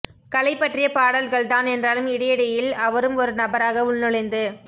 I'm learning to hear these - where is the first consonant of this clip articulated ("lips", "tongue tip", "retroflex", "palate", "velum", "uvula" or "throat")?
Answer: velum